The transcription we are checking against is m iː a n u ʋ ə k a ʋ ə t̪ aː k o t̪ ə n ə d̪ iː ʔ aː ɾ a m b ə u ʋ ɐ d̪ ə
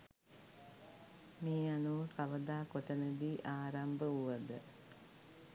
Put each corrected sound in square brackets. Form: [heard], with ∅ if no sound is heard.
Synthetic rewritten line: m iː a n u ʋ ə k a ʋ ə [d̪] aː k o t̪ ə n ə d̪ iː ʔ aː ɾ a m b ə u ʋ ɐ d̪ ə